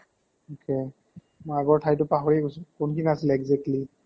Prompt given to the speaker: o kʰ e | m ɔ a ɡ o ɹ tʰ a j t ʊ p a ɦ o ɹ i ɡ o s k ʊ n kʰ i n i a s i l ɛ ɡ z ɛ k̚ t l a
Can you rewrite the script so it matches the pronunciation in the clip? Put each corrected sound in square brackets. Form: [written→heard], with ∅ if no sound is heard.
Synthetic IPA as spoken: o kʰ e | m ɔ a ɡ [o→ɔ] ɹ tʰ a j t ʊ p a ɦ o ɹ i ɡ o s k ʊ n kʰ i n i a s i l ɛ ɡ z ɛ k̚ t l [a→i]